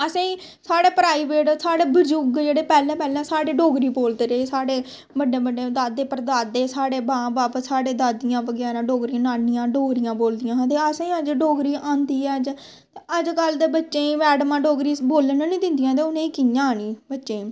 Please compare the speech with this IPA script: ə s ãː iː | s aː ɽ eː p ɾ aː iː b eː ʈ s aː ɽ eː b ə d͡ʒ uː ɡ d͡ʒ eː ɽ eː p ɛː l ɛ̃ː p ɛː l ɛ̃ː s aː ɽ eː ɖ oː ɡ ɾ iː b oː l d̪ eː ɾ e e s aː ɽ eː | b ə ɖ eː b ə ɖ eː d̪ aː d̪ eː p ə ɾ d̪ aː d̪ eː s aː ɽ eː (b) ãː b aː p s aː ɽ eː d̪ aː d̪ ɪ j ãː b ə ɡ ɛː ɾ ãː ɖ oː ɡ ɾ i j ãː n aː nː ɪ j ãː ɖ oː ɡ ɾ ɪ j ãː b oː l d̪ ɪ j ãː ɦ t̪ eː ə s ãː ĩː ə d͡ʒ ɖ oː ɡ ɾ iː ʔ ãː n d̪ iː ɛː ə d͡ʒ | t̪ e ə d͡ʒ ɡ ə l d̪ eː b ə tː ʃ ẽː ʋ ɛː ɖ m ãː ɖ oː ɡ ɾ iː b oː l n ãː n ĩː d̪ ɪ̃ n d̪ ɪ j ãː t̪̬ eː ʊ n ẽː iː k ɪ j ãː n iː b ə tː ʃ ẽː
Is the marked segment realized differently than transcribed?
no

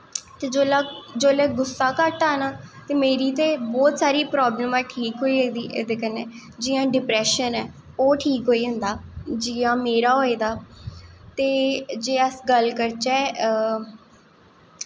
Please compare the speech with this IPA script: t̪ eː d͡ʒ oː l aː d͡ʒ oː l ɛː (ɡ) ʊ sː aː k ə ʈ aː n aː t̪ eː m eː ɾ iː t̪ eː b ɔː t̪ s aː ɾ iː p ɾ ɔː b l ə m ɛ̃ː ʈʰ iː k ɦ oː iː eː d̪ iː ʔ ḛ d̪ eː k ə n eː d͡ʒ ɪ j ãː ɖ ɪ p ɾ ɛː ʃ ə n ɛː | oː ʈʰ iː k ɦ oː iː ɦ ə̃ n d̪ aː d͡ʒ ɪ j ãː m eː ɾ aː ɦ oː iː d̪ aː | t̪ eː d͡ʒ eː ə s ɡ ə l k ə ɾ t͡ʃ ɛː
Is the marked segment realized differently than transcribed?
no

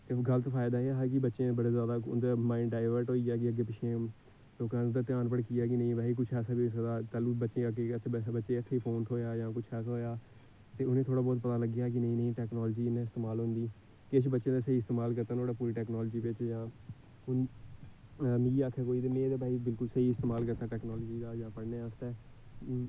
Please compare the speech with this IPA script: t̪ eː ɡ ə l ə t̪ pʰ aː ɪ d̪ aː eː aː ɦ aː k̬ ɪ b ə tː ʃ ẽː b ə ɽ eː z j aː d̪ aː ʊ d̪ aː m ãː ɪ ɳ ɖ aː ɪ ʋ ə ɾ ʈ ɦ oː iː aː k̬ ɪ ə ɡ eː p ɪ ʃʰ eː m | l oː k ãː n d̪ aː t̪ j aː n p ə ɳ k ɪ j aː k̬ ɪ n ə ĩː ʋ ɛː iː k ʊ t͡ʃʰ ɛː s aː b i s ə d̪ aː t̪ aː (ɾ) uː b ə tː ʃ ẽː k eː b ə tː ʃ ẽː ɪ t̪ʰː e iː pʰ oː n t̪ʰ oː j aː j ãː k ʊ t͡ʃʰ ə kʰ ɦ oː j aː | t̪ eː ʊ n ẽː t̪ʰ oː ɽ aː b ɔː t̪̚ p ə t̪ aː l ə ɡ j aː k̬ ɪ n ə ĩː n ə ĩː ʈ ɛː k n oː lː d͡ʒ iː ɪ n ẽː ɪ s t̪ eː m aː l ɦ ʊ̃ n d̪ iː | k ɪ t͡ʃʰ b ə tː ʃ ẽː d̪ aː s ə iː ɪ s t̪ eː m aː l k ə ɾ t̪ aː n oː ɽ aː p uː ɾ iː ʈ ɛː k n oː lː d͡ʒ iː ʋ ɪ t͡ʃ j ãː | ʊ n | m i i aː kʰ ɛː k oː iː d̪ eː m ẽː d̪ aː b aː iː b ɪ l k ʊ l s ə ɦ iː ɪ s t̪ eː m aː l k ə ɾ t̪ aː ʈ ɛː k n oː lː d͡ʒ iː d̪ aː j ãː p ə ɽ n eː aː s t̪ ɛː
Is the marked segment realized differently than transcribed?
yes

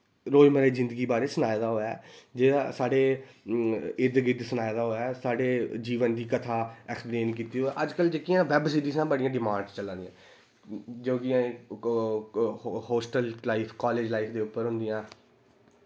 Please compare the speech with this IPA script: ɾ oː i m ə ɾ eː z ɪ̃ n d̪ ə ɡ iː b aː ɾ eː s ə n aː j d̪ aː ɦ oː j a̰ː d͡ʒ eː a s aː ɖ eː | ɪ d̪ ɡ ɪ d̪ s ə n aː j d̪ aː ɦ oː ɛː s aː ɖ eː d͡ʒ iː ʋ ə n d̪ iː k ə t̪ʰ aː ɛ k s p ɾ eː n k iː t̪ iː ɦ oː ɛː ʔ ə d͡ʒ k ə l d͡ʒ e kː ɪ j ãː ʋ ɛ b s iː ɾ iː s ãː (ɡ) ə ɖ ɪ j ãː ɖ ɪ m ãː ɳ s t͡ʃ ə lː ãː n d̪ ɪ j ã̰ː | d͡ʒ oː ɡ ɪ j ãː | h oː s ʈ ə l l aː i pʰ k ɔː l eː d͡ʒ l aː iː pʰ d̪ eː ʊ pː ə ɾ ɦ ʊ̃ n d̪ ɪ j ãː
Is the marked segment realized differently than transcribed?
yes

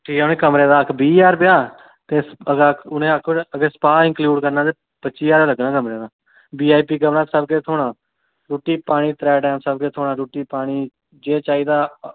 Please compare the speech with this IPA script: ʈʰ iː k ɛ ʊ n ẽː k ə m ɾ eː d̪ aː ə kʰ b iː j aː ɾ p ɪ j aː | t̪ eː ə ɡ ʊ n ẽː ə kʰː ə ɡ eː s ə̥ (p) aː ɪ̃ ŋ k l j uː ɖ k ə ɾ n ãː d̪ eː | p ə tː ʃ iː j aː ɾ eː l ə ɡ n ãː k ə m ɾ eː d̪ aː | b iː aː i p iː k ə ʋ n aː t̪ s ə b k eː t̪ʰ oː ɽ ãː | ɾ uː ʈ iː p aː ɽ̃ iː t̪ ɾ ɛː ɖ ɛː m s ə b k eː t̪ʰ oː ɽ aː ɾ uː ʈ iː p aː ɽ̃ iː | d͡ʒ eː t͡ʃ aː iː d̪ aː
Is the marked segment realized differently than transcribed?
no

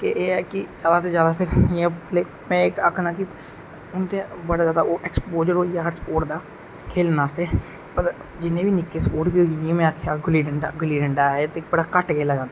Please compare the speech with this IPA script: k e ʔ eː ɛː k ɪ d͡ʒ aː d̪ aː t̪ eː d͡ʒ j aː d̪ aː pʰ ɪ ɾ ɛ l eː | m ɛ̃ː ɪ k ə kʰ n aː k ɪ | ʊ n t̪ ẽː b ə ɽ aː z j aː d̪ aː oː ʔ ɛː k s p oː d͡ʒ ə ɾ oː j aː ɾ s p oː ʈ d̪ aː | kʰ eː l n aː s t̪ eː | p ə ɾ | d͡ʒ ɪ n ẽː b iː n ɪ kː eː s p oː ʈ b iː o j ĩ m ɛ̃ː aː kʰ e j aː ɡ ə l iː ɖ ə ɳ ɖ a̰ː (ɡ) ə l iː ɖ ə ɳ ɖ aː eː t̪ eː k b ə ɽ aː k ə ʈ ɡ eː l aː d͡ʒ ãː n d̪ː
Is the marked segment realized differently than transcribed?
no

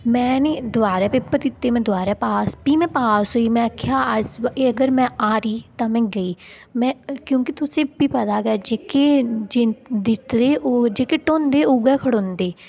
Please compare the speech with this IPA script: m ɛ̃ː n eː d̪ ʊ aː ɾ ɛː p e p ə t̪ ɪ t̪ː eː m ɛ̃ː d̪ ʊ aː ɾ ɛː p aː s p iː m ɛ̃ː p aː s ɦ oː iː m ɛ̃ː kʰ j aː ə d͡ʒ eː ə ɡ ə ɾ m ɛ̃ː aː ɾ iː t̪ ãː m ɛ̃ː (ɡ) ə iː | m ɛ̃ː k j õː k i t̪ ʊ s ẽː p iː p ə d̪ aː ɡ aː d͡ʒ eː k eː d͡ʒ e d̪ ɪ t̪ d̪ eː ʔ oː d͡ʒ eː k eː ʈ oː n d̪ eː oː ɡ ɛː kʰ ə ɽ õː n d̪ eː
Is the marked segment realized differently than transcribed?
no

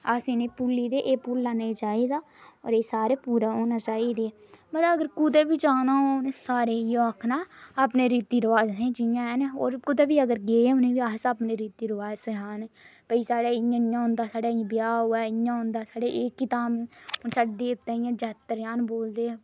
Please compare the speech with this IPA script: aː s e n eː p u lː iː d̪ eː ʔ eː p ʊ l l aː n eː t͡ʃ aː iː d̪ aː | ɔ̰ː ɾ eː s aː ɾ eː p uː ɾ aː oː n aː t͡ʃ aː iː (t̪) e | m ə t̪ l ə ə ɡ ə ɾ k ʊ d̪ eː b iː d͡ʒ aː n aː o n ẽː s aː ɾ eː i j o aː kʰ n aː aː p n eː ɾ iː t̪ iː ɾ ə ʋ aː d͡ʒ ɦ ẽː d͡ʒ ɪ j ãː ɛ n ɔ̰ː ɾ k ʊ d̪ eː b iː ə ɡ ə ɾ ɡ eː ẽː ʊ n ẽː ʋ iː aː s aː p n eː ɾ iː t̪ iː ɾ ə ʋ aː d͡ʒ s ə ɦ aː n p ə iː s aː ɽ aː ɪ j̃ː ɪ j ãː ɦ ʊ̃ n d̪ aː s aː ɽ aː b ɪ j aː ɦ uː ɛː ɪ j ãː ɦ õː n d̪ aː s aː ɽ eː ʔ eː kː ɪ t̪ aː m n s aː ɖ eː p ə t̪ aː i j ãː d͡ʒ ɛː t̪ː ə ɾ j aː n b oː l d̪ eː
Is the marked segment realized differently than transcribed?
yes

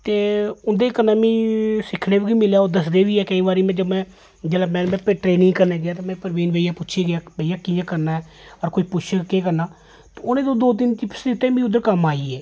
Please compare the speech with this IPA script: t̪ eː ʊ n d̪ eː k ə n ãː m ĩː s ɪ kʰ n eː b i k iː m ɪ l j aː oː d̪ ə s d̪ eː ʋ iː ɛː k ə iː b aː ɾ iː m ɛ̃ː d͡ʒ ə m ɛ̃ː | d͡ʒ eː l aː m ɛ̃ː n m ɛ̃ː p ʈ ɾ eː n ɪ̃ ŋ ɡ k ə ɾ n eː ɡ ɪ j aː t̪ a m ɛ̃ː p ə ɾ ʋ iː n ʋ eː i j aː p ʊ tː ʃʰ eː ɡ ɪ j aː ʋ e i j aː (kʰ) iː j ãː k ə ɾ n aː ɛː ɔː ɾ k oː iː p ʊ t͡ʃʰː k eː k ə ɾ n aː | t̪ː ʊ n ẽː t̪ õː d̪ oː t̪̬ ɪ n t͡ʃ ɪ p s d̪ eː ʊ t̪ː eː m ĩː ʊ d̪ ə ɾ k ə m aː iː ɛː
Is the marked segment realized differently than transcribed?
yes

